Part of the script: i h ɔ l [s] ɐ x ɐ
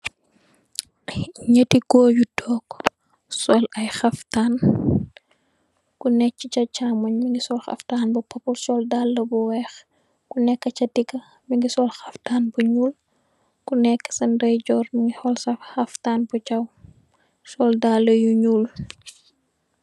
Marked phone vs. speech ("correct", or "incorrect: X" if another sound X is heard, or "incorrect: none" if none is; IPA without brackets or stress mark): correct